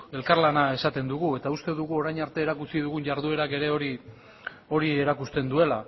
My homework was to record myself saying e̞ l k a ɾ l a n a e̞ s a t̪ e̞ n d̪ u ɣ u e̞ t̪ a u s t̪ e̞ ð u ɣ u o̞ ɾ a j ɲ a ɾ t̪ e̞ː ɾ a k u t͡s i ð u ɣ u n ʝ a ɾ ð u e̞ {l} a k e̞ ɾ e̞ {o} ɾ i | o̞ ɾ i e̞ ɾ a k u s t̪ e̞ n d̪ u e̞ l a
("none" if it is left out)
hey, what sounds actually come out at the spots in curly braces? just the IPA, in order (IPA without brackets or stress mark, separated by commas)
ɾ, o